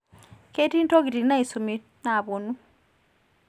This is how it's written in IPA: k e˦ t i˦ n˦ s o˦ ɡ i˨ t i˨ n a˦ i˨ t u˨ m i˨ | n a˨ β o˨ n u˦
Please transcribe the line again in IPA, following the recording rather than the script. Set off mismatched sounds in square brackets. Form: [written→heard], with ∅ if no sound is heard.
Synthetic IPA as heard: k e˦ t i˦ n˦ [s→t] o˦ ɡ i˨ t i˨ n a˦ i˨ [t→s] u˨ m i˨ | n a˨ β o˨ n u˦